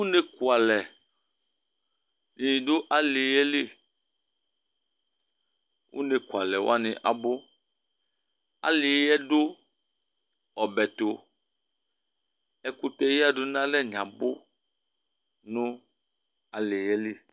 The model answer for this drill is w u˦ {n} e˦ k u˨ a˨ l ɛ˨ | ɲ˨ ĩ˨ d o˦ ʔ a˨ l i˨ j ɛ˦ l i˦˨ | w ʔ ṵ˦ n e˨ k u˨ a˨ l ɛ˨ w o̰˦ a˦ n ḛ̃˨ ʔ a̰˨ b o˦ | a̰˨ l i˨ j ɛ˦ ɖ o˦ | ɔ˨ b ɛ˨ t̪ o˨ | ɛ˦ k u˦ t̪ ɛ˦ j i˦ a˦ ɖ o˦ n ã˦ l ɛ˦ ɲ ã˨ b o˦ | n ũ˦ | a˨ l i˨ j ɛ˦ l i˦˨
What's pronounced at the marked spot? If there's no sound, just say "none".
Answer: n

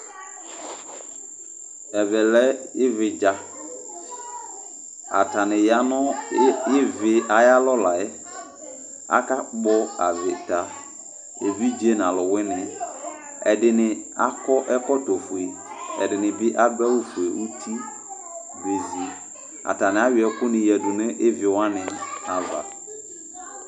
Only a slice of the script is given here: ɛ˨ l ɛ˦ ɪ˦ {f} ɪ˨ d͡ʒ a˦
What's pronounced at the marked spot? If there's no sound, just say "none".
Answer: v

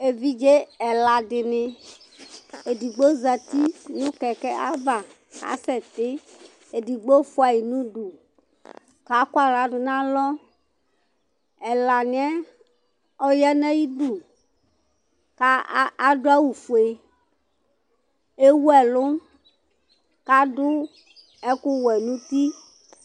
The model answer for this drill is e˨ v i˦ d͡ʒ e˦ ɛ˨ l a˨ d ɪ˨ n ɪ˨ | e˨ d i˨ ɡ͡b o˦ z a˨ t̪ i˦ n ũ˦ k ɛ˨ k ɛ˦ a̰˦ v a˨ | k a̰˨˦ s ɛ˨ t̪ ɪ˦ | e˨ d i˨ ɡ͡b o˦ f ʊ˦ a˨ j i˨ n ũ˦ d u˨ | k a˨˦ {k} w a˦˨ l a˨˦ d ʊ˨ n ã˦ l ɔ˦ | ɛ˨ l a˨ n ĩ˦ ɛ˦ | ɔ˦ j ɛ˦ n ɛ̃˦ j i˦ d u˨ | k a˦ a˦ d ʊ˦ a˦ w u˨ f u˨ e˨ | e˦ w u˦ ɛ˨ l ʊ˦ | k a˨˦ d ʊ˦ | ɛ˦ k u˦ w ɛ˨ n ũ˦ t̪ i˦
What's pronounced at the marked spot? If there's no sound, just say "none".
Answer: k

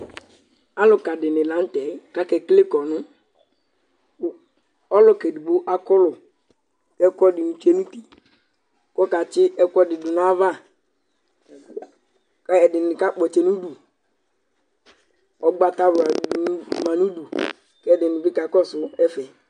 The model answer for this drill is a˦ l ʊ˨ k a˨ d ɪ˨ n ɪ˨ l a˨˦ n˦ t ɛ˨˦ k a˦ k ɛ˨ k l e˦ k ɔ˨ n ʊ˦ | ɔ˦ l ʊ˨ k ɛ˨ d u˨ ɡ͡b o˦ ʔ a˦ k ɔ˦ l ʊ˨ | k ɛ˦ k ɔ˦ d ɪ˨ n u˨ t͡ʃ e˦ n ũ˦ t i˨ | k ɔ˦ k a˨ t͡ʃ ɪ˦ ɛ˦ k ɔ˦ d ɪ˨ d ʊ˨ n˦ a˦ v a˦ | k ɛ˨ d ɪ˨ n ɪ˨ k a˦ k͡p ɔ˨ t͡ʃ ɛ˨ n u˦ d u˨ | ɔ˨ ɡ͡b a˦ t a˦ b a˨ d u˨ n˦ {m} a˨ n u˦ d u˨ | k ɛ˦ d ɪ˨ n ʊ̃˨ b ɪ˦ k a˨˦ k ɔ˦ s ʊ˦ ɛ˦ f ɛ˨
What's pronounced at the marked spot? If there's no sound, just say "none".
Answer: m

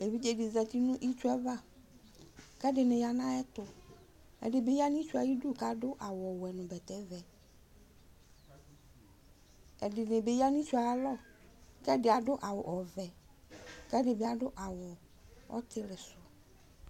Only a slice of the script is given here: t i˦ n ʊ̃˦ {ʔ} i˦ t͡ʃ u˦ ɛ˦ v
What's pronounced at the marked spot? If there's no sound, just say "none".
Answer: ʔ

